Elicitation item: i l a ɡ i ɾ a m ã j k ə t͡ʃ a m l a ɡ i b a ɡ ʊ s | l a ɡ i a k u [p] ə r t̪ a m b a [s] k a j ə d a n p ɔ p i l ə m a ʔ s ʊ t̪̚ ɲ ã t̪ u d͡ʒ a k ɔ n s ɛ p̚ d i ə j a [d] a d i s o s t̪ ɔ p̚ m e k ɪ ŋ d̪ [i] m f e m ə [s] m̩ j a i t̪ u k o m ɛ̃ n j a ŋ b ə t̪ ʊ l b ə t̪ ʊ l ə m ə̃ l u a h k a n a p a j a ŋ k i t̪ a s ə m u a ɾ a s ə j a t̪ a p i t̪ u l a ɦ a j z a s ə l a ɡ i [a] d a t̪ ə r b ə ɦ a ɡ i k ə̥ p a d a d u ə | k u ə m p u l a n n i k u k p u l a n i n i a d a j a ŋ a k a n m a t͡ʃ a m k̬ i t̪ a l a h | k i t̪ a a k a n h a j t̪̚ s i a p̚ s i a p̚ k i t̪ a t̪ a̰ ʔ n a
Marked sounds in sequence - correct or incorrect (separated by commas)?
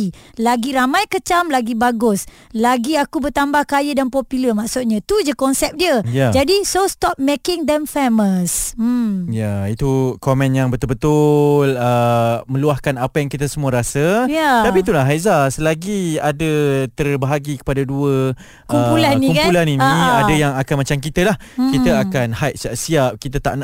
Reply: incorrect, incorrect, incorrect, incorrect, correct, correct